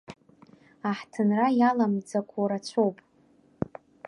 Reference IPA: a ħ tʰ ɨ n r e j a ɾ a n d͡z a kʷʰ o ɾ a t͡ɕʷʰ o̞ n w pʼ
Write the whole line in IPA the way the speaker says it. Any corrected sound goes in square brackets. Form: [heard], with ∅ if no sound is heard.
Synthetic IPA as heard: a ħ tʰ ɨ n r [a] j a [l] a [m] d͡z a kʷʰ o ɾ a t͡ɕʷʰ o̞ [∅] w pʼ